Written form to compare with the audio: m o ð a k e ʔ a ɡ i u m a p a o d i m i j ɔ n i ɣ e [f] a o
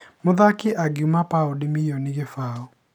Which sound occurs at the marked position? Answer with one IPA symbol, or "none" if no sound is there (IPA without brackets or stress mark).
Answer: f